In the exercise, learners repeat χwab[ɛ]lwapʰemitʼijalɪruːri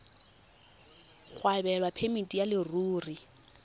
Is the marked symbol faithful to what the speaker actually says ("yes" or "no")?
yes